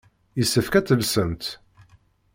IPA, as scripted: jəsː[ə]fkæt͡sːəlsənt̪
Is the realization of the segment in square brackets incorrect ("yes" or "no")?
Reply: no